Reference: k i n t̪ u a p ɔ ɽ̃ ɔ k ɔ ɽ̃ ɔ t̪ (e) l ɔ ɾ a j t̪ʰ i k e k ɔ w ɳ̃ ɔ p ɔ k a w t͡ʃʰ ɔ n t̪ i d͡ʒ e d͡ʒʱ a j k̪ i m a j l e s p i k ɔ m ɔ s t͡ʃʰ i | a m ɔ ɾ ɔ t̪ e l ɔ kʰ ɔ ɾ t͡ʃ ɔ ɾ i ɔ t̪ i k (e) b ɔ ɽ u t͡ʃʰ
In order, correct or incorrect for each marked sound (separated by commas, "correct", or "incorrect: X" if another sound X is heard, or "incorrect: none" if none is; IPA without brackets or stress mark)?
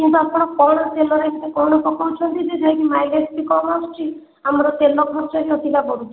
correct, incorrect: a